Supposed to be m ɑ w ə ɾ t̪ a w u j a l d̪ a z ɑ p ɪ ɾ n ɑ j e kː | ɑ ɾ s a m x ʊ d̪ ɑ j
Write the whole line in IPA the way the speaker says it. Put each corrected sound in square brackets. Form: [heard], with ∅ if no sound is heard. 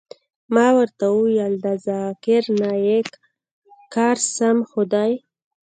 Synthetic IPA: m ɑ w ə ɾ t̪ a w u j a l d̪ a z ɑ [k] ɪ ɾ n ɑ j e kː | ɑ ɾ s a m x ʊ d̪ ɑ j